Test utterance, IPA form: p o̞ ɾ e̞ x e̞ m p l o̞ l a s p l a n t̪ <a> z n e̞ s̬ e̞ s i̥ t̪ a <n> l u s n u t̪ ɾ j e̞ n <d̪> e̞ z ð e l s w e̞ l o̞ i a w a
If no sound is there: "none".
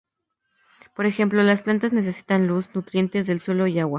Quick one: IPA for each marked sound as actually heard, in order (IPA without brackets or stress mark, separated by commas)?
a, n, t̪